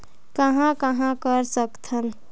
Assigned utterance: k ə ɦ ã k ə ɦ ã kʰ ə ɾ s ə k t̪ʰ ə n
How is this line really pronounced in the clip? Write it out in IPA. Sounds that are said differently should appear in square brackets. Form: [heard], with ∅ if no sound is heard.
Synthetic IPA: k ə ɦ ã k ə ɦ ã [k] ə ɾ s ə k t̪ʰ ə n